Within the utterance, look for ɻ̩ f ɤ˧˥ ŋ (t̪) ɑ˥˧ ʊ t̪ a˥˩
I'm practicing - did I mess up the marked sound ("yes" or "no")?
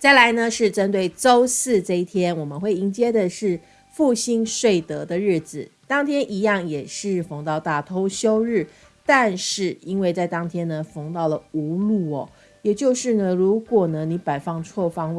no